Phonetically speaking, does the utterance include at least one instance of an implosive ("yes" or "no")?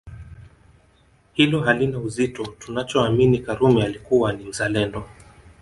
no